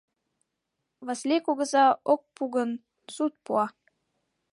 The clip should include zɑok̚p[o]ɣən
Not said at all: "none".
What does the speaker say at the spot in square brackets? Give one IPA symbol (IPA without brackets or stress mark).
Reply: u